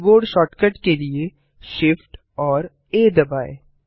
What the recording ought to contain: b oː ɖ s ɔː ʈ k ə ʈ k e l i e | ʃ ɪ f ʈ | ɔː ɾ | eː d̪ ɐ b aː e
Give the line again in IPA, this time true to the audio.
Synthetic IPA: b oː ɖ ʃ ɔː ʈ k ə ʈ k e l i e | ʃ ɪ f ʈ | ɔː ɾ | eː d̪ ɐ b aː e